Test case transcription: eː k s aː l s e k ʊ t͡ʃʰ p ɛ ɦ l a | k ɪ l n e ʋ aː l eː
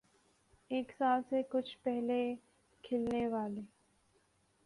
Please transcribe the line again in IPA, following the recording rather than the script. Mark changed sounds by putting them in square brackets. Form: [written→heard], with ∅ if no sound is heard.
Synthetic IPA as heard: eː k s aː l s e k ʊ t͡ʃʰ p ɛ ɦ l [a→e] | [k→kʰ] ɪ l n e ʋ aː l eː